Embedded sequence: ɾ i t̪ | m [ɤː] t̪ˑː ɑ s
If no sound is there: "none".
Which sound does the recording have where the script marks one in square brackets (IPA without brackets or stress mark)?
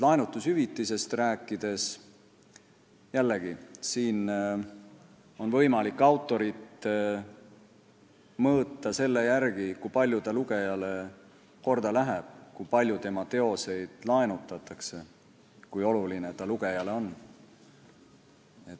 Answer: ɤː